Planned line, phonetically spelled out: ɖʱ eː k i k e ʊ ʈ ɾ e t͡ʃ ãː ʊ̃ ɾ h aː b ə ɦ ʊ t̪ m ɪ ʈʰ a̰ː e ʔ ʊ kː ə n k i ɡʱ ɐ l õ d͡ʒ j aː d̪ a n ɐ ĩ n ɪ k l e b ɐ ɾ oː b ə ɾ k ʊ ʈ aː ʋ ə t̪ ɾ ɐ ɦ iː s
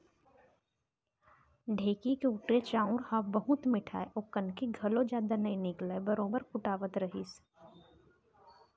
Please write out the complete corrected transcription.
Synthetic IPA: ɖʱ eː k i k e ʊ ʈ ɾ e t͡ʃ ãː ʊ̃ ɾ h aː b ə ɦ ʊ t̪ m ɪ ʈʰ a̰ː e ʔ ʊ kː ə n k i ɡʱ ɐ l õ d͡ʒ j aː d̪ a n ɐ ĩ n ɪ k l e b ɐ ɾ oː b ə ɾ k ʊ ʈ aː ʋ ə t̪ ɾ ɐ ɦ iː s